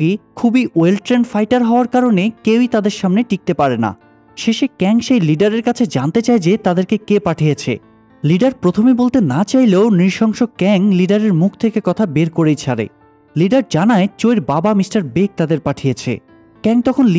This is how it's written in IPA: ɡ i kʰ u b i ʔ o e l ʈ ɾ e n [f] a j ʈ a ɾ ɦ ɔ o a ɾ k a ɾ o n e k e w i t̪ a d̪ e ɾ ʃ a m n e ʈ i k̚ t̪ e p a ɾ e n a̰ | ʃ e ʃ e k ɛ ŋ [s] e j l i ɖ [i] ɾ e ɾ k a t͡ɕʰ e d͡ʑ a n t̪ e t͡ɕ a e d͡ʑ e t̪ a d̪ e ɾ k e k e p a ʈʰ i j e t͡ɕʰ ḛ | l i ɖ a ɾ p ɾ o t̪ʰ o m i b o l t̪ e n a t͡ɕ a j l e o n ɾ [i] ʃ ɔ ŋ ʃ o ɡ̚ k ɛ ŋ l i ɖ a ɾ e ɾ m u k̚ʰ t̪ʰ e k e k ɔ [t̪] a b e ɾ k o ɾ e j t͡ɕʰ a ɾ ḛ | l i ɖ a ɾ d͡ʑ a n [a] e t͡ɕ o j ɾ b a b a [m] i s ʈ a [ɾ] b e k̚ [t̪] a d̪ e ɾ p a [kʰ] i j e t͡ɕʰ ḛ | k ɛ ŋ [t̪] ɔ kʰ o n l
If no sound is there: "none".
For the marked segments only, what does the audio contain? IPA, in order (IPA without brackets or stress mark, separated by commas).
f, ʃ, a, i, t̪ʰ, a, m, ɾ, t̪, ʈʰ, t̪